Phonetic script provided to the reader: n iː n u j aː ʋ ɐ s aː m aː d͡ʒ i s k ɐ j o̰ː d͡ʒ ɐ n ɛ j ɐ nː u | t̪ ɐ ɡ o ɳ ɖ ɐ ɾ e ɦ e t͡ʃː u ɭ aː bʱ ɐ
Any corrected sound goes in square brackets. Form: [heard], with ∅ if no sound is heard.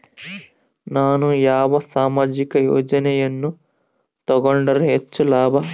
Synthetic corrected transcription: n [aː] n u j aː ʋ ɐ s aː m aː d͡ʒ i [∅] k ɐ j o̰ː d͡ʒ ɐ n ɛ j ɐ nː u | t̪ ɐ ɡ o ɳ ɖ ɐ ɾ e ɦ e t͡ʃː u [l] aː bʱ ɐ